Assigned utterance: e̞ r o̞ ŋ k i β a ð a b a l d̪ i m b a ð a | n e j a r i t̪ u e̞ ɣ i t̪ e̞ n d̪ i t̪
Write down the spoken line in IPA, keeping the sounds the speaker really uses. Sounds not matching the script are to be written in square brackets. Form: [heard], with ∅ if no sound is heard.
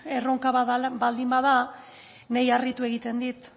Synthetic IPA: e̞ r o̞ ŋ k [a] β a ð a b a l d̪ i m b a ð a | n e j a r i t̪ u e̞ ɣ i t̪ e̞ n d̪ i t̪